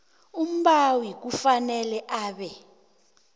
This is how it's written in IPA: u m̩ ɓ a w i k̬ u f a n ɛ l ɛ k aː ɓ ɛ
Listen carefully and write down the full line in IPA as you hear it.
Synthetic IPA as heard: u m̩ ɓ a w i k̬ u f a n ɛ l ɛ ʔ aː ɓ ɛ